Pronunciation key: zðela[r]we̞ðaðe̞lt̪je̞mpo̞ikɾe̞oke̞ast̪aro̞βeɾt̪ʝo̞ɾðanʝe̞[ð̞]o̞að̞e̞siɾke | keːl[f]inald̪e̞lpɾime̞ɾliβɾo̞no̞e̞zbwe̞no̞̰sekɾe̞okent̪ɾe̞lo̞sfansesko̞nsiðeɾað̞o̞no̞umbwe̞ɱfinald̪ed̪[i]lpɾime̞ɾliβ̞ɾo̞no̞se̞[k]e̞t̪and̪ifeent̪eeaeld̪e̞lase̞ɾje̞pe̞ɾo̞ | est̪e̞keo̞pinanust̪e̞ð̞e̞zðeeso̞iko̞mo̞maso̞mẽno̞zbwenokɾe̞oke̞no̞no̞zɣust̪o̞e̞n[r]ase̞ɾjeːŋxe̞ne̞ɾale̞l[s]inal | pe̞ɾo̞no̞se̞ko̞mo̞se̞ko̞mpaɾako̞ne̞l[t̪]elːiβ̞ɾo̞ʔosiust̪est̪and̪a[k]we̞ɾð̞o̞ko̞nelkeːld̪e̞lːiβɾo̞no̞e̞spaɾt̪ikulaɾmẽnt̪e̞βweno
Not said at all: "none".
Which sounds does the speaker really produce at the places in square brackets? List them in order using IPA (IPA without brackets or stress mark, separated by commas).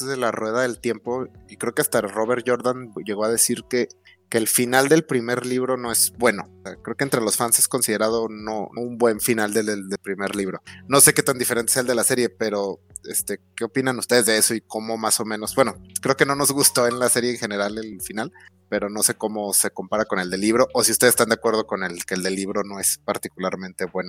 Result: r, ɣ̞, f, e, k, l, f, d̪, k